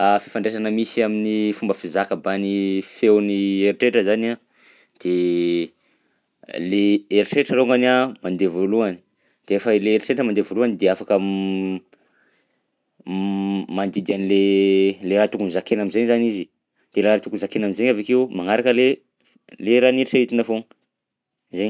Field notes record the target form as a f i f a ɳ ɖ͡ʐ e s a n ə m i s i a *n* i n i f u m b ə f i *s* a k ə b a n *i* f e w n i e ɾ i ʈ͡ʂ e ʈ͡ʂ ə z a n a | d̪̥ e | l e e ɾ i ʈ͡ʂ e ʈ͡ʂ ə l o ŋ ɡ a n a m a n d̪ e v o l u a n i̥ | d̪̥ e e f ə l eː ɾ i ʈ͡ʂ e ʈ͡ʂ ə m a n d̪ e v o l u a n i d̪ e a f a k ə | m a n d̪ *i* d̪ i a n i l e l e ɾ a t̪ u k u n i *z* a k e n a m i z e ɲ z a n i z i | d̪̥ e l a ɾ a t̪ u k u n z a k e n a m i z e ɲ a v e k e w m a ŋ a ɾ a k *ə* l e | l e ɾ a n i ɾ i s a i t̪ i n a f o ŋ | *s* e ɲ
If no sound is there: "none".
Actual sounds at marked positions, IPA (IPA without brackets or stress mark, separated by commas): m, z, i, i, z, ə, z